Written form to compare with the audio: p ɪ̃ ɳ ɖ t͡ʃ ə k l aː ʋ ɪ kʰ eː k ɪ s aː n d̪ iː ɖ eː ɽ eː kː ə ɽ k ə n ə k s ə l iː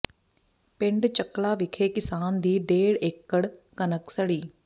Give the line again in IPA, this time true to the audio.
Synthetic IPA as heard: p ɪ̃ ɳ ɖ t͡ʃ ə k l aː ʋ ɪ kʰ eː k ɪ s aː n d̪ iː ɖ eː ɽ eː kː ə ɽ k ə n ə k s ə ɽ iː